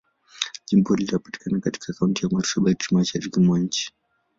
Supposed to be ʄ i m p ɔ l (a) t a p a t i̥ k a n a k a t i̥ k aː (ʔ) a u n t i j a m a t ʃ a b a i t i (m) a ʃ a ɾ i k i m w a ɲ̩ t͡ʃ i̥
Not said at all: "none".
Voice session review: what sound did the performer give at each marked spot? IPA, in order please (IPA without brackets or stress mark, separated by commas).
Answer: i, k, m